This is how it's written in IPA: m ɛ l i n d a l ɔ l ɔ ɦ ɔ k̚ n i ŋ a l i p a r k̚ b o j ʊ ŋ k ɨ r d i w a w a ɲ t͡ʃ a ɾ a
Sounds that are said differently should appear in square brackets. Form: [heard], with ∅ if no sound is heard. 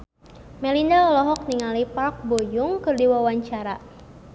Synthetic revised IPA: m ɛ l i n d a l ɔ l ɔ ɦ ɔ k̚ n i ŋ a l i p a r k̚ b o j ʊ ŋ k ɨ r d i w a w a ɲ t͡ʃ a ɾ a

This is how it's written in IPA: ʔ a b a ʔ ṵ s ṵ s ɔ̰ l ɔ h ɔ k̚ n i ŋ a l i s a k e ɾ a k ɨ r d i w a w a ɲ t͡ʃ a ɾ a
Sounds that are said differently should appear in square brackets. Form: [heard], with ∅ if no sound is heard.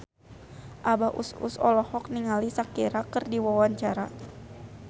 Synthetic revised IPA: ʔ a b a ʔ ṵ s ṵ s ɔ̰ l ɔ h ɔ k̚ n i ŋ a l i s a k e ɾ a k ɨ r d i w a w a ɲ t͡ʃ a ɾ a

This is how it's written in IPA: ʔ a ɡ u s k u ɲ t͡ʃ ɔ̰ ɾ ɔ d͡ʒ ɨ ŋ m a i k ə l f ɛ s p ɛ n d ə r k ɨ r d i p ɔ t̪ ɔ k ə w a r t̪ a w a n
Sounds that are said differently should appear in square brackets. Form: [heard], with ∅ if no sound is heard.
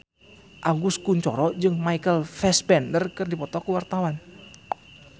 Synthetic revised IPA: ʔ a ɡ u s k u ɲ t͡ʃ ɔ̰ ɾ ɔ d͡ʒ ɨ ŋ m a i k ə l f ɛ s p ɛ n d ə r k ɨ r d i p ɔ t̪ ɔ k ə w a r t̪ a w a n

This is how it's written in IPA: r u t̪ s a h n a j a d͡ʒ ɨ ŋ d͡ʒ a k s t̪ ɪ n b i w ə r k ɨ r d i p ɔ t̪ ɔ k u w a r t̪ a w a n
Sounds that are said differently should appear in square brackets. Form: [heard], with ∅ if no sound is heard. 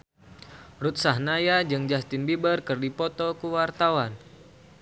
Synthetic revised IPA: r u t̪ s a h n a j a d͡ʒ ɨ ŋ d͡ʒ a [∅] s t̪ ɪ n b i [b] ə r k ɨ r d i p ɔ t̪ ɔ k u w a r t̪ a w a n

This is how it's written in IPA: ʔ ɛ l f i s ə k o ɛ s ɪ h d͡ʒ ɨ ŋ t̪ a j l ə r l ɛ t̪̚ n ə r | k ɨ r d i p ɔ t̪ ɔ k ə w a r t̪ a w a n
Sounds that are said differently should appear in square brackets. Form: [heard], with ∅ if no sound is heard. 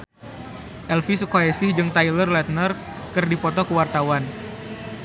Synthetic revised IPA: ʔ ɛ l f i s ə k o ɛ s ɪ h d͡ʒ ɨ ŋ t̪ a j l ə r l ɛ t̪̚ n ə r | k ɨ r d i p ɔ t̪ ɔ k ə w a r t̪ a w a n

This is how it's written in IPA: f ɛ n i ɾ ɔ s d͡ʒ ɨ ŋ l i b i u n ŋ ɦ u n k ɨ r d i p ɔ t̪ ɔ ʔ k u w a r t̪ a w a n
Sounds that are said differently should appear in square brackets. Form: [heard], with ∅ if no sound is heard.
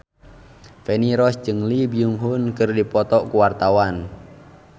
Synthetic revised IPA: f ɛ n i ɾ ɔ s d͡ʒ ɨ ŋ l i b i u [∅] ŋ ɦ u n k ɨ r d i p ɔ t̪ ɔ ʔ k u w a r t̪ a w a n

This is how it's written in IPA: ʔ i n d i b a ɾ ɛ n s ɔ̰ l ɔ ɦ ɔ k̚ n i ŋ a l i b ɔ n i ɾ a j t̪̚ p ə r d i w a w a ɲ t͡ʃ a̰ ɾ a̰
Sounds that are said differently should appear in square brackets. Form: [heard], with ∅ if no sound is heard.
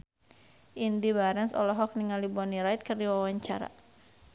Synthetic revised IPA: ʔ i n d i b a ɾ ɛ n s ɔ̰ l ɔ ɦ ɔ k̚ n i ŋ a l i b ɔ n i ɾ a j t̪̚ [k] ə r d i w a w a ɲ t͡ʃ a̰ ɾ a̰

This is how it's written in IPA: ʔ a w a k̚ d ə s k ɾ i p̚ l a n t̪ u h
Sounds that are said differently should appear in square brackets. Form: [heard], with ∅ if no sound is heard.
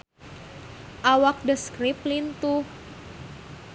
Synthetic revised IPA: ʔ a w a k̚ d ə s k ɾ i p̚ l [i] n t̪ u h

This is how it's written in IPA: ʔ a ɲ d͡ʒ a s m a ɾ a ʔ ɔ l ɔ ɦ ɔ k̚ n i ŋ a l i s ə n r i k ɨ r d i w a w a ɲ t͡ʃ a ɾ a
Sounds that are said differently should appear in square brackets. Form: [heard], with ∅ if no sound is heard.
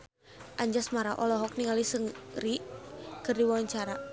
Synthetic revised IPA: ʔ a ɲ d͡ʒ a s m a ɾ a ʔ ɔ l ɔ ɦ ɔ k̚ n i ŋ a l i s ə [ŋ] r i k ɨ r d i w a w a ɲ t͡ʃ a ɾ a

